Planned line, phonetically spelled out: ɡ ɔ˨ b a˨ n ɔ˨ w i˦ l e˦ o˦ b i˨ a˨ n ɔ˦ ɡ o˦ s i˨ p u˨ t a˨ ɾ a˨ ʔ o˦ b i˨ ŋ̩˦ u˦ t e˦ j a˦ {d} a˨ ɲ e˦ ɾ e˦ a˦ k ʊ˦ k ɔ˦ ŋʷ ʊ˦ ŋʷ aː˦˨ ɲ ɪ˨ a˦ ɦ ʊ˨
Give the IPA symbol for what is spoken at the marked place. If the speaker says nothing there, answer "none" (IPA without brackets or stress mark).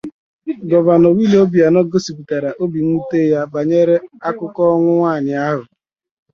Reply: b